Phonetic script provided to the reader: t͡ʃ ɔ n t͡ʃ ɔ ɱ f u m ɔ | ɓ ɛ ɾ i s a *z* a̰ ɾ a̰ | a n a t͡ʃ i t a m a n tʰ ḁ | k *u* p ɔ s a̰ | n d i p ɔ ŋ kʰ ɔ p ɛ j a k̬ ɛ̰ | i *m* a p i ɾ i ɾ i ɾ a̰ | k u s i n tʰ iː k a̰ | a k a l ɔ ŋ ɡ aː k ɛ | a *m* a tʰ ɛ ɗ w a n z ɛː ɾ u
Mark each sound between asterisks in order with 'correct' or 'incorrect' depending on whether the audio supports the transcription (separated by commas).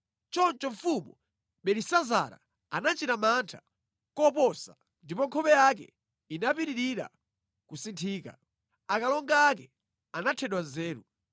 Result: correct, incorrect, incorrect, incorrect